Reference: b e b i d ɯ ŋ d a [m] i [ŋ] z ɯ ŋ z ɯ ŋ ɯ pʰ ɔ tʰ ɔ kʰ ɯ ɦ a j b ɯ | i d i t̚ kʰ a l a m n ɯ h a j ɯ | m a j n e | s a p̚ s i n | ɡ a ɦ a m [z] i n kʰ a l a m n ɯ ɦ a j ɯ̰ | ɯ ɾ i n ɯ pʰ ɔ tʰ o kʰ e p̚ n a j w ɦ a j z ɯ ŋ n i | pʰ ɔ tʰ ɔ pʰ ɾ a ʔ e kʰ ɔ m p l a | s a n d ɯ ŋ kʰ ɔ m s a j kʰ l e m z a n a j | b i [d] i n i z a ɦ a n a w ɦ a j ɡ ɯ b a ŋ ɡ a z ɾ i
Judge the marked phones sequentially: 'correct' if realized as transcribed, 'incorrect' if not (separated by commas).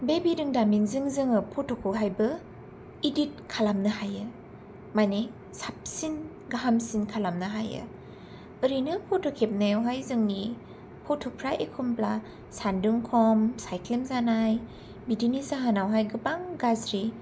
correct, correct, incorrect, correct